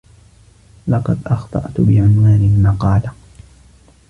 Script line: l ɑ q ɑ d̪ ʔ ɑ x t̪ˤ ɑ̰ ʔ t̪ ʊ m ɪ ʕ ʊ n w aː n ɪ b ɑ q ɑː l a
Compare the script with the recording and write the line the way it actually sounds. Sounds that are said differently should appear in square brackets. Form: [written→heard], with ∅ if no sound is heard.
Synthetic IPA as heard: l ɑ q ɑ d̪ ʔ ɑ x t̪ˤ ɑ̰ ʔ t̪ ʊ [m→b] ɪ ʕ ʊ n w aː n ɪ [b→m] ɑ q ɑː l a